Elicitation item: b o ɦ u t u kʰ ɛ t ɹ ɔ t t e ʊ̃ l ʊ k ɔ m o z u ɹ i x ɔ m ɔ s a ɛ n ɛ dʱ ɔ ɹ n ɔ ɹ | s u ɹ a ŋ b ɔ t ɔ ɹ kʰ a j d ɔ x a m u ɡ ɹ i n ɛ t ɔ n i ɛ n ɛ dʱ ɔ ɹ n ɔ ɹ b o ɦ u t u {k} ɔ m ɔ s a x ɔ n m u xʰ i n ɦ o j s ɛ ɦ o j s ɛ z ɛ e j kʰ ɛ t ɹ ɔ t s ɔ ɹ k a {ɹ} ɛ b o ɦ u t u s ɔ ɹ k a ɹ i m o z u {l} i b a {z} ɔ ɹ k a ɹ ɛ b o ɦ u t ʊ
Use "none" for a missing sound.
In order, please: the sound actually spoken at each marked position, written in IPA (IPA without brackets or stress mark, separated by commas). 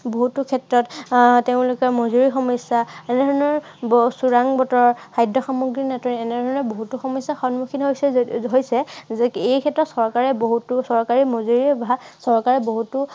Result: x, ɹ, ɹ, s